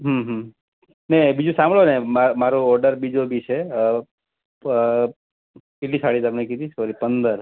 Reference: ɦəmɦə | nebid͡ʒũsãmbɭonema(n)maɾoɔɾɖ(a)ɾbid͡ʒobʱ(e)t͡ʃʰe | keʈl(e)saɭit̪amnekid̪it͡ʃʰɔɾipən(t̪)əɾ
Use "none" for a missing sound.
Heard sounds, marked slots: none, ə, i, i, d̪

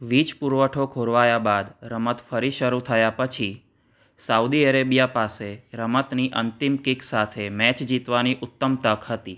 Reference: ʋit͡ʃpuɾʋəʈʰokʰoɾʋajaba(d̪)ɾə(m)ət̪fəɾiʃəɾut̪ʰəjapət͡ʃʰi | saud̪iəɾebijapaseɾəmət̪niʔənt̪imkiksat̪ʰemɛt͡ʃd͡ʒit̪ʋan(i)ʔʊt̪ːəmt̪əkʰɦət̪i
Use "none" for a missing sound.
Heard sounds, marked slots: d̪, m, i

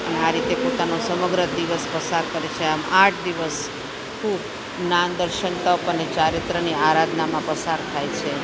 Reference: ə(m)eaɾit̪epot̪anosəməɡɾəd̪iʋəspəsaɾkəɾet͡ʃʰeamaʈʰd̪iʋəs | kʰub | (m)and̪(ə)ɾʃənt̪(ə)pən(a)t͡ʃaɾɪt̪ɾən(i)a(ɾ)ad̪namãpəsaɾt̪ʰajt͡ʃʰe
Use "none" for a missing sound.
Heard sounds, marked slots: n, n, ə, ə, e, i, ɾ

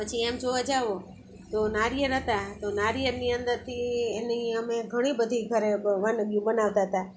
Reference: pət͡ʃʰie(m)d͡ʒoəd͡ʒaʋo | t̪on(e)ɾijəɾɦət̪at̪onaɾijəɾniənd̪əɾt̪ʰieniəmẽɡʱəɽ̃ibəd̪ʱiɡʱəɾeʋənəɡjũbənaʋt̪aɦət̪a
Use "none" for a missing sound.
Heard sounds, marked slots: m, a

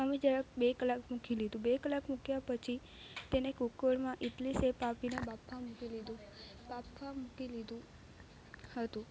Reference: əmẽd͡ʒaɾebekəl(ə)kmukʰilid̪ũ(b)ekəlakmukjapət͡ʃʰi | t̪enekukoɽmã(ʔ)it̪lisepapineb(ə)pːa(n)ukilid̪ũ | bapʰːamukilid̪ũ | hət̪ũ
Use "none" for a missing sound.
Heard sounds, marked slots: a, b, ʔ, a, m

